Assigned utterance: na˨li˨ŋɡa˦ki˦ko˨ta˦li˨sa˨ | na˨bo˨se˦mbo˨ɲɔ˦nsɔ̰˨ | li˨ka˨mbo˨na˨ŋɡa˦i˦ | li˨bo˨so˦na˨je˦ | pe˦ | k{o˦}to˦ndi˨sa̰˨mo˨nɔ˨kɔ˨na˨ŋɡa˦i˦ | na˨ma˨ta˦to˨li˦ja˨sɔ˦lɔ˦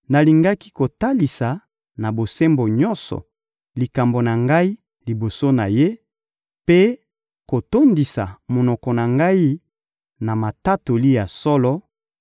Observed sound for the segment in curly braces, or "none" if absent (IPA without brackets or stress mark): o˨